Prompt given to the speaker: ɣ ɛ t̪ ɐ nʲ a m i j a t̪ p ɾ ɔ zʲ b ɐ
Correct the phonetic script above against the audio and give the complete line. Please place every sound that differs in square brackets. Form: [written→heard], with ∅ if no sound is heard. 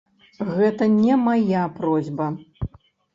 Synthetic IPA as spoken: ɣ ɛ t̪ ɐ nʲ [a→ɛ] m [i→a] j a [t̪→∅] p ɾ ɔ zʲ b ɐ

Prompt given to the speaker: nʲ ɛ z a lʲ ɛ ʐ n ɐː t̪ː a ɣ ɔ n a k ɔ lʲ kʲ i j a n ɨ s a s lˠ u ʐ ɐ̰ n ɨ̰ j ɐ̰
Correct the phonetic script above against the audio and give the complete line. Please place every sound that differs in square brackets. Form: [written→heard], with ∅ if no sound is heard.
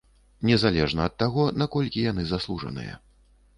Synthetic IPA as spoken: nʲ ɛ z a lʲ ɛ ʐ n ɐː t̪ː a ɣ ɔ n a k ɔ lʲ kʲ i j a n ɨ [s→z] a s lˠ u ʐ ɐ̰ n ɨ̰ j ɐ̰

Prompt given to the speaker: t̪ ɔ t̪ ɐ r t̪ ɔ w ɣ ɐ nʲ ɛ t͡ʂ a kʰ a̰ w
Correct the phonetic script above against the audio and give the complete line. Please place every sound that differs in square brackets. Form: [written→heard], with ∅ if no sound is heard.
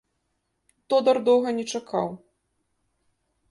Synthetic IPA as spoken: t̪ ɔ [t̪→d̪] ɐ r [t̪→d̪] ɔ w ɣ ɐ nʲ ɛ t͡ʂ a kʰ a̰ w

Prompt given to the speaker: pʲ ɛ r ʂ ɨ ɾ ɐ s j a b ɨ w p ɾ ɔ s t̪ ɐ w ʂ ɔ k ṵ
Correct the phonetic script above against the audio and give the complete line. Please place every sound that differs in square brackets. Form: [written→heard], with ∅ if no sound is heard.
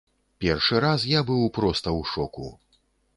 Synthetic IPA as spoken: pʲ ɛ r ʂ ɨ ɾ [ɐ→a] s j a b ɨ w p ɾ ɔ s t̪ ɐ w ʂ ɔ k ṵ

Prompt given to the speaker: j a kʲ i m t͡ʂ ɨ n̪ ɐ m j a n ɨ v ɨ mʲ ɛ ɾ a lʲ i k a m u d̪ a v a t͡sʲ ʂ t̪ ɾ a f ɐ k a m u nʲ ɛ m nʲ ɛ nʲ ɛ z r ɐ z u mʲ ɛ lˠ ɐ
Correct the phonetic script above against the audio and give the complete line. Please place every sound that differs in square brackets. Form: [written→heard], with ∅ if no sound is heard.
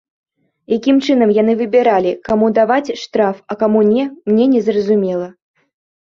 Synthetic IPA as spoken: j a kʲ i m t͡ʂ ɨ n̪ ɐ m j a n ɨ v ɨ [mʲ→bʲ] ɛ ɾ a lʲ i k a m u d̪ a v a t͡sʲ ʂ t̪ ɾ a f ɐ k a m u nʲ ɛ m nʲ ɛ nʲ ɛ z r ɐ z u mʲ ɛ lˠ ɐ

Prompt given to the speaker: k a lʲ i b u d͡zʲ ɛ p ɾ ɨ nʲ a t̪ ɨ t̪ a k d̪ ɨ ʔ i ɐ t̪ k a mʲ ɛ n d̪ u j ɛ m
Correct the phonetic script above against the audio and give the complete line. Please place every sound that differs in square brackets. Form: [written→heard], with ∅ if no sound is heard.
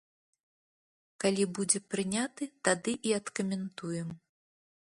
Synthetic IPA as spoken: k a lʲ i b u d͡zʲ ɛ p ɾ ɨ nʲ a t̪ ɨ t̪ a [k→∅] d̪ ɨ ʔ i ɐ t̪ k [a→ɐ] mʲ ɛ n [d̪→t̪] u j ɛ m

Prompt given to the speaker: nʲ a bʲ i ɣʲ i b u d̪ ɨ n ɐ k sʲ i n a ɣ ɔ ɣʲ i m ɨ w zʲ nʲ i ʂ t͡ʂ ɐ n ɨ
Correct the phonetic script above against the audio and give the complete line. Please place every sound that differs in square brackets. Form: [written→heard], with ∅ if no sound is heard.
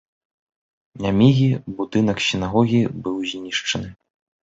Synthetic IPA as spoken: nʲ a [bʲ→mʲ] i ɣʲ i b u d̪ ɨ n ɐ k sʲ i n a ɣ ɔ ɣʲ i [m→b] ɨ w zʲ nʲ i ʂ t͡ʂ ɐ n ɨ

